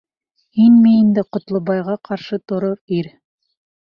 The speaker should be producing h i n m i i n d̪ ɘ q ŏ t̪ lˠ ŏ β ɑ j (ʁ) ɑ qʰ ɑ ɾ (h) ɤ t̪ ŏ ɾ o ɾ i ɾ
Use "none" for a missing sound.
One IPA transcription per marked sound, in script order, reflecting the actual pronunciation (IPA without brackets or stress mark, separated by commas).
ʁ, ʃ